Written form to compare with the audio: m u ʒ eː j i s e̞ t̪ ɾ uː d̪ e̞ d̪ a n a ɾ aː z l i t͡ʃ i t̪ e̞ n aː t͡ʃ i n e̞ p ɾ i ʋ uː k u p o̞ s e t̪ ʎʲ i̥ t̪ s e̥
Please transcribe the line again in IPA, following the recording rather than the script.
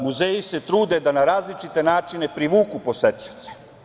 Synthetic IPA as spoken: m u z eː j i s e̞ t̪ ɾ uː d̪ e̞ d̪ a n a ɾ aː z l i t͡ʃ i t̪ e̞ n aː t͡ʃ i n e̞ p ɾ i ʋ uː k u p o̞ s e t̪ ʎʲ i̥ t̪ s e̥

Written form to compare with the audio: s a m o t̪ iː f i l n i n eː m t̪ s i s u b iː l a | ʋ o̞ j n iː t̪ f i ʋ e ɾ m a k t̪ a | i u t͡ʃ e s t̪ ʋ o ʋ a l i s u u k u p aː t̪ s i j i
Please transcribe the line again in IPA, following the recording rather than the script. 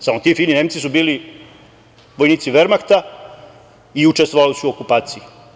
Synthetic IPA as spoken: s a m o t̪ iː f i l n i n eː m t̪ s i s u b iː l i | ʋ o̞ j n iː t̪ s i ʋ e ɾ m a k t̪ a | i u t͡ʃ e s t̪ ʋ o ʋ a l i s u o k u p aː t̪ s i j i

